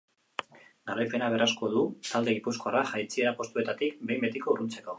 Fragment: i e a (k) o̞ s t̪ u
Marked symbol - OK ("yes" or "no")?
no